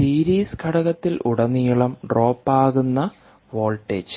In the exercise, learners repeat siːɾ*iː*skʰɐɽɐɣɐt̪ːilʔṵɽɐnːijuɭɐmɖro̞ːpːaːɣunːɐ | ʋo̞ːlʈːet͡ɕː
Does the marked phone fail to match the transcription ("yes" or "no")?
no